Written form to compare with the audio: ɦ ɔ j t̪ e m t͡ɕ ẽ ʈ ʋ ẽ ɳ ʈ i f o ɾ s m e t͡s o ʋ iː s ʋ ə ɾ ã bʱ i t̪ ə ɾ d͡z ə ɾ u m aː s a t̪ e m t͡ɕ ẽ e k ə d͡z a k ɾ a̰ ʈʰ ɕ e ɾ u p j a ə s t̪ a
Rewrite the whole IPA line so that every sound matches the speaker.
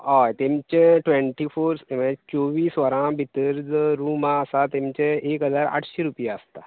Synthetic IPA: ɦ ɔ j t̪ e m t͡ɕ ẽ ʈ ʋ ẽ ɳ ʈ i f o ɾ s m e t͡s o ʋ iː s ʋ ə ɾ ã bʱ i t̪ ə ɾ d͡z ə ɾ u m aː s a t̪ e m t͡ɕ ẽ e k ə d͡z a ɾ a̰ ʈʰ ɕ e ɾ u p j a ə s t̪ a